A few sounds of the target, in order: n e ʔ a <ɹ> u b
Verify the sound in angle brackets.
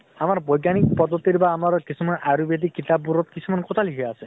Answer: incorrect: ɾ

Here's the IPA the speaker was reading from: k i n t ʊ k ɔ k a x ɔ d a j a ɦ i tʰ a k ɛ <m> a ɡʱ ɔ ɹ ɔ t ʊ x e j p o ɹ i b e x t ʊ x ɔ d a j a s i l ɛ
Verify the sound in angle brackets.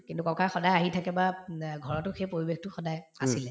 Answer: incorrect: b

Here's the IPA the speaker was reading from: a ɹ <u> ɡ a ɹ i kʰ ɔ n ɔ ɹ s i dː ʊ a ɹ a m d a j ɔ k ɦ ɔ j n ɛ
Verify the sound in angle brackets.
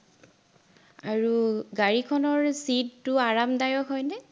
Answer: correct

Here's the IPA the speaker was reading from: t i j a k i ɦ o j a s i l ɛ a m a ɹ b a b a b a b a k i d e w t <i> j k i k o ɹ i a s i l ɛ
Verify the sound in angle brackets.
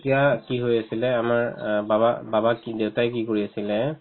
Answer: incorrect: a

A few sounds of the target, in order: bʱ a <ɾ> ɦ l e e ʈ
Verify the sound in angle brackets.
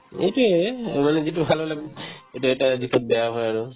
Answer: incorrect: l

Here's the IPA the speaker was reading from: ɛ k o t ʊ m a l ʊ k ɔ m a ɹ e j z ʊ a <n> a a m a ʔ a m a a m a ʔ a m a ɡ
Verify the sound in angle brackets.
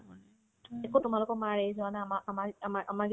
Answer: correct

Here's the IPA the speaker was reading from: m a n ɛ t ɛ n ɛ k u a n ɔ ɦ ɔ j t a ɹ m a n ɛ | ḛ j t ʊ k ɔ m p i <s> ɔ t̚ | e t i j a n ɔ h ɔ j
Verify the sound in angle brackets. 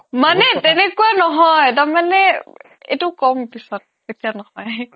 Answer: correct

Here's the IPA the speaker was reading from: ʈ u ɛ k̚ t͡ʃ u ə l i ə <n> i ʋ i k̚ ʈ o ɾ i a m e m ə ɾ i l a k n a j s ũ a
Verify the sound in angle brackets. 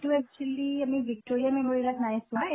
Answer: incorrect: m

